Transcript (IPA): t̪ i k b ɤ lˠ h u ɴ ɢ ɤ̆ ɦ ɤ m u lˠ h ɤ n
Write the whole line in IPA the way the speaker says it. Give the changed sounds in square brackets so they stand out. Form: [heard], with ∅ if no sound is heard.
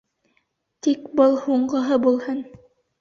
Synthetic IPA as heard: t̪ i k b ɤ lˠ h u ɴ ɢ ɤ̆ ɦ ɤ [b] u lˠ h ɤ n